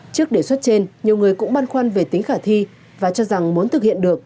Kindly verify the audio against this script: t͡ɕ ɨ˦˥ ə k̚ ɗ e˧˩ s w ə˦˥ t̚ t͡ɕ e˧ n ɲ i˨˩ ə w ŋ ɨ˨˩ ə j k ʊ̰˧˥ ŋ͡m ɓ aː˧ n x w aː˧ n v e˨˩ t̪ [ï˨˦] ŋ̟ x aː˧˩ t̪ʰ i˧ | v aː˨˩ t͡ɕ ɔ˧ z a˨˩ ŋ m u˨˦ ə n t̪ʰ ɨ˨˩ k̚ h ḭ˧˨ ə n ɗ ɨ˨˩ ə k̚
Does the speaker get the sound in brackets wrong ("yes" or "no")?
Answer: no